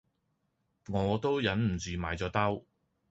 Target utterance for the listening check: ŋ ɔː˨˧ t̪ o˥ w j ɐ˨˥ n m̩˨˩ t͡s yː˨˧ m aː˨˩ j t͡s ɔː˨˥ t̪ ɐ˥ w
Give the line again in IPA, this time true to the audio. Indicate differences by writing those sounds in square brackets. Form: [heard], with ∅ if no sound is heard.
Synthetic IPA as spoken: ŋ ɔː˨˧ t̪ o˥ w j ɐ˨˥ n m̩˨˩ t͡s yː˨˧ m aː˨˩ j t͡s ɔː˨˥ t̪ ɐ˥ w